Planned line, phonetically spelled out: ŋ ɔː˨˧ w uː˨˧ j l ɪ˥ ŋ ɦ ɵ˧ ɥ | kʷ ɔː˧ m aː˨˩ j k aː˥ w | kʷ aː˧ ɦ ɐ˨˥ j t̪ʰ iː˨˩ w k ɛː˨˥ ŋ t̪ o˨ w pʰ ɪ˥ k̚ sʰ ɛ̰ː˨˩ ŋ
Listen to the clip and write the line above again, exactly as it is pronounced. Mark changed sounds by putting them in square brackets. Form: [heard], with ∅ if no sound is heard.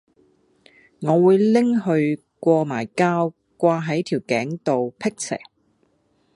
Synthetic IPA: ŋ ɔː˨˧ w uː˨˧ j l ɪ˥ ŋ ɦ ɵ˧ ɥ | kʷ ɔː˧ m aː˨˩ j k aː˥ w | kʷ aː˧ ɦ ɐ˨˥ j t̪ʰ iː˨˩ w k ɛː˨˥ ŋ t̪ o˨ w pʰ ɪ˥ k̚ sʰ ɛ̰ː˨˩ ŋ